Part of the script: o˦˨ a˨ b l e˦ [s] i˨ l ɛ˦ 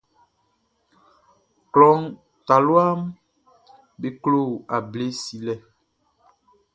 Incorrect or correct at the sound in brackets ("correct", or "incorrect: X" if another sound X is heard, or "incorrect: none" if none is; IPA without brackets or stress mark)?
correct